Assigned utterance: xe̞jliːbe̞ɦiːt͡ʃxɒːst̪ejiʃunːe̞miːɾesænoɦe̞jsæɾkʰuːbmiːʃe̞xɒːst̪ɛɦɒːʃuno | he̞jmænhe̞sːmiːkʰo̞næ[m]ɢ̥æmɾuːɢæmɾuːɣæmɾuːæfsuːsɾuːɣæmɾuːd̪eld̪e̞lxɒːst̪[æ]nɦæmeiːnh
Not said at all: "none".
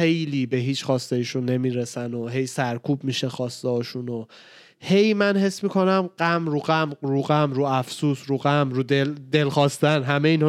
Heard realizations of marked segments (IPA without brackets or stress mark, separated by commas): m, æ